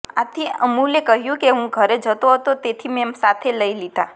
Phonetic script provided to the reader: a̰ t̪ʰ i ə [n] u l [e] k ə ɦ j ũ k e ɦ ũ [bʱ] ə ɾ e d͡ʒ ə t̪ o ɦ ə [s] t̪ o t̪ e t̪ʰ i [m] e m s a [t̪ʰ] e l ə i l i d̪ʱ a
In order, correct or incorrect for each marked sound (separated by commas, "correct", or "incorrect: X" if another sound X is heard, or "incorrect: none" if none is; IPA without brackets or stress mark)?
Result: incorrect: m, correct, incorrect: ɡʱ, incorrect: none, correct, correct